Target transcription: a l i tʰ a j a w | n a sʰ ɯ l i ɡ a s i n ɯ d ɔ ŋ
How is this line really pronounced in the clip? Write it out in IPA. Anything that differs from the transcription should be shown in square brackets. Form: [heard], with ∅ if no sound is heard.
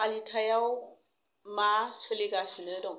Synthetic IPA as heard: a l i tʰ a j a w | [m] a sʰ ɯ l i ɡ a s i n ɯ d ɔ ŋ